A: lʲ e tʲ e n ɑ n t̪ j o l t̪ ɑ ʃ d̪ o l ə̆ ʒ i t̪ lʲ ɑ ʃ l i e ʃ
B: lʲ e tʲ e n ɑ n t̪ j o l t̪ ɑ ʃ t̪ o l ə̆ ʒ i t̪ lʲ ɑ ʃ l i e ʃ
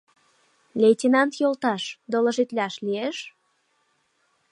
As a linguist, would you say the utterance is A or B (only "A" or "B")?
A